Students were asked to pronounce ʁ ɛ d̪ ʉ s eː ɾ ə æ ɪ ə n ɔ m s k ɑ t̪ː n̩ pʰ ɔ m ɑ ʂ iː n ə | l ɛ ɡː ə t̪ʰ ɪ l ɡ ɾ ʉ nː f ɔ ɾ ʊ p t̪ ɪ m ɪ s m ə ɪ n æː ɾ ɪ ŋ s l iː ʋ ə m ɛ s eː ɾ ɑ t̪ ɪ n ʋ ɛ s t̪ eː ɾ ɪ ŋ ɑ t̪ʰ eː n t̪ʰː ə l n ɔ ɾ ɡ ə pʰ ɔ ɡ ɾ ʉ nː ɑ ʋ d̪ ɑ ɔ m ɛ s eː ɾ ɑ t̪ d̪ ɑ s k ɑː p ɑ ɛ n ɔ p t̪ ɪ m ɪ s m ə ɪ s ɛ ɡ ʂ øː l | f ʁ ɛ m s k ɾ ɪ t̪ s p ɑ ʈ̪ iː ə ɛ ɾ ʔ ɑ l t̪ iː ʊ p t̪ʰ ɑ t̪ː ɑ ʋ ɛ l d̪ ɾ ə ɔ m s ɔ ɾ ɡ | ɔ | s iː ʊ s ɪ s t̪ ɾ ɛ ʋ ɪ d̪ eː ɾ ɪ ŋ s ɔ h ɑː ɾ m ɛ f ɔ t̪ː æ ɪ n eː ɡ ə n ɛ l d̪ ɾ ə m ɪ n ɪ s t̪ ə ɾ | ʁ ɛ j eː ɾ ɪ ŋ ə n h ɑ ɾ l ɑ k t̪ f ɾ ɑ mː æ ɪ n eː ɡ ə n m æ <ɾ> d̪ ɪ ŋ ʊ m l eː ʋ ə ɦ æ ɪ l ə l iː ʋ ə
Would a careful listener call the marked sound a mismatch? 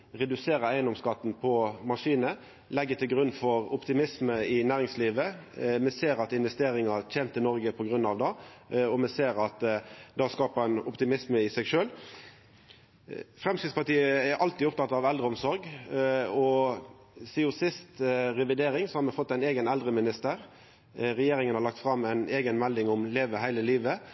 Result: yes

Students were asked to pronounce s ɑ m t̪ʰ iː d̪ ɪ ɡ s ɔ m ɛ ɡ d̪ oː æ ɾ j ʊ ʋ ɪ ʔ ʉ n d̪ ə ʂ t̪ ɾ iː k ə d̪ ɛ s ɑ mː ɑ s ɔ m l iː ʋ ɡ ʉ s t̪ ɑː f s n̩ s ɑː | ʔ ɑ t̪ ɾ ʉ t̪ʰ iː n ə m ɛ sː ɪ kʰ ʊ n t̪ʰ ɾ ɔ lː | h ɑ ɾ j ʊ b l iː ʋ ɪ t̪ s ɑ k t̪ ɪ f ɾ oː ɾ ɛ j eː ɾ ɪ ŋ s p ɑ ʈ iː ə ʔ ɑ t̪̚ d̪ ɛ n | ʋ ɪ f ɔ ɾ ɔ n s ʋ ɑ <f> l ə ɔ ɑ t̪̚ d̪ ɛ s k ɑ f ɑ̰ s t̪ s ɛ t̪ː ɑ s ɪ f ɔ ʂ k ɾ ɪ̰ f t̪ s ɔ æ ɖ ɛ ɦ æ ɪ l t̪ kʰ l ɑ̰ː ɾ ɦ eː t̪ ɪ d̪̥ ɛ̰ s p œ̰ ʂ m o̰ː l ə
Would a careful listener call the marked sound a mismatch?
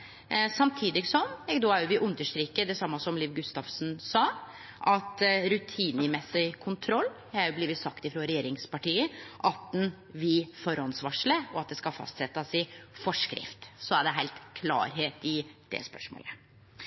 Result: yes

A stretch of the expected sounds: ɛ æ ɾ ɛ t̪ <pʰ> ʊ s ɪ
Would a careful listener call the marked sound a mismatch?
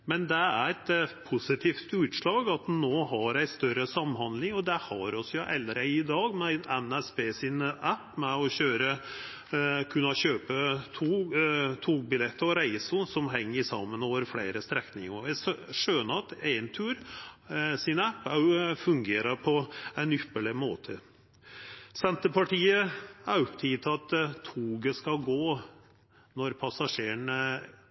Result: no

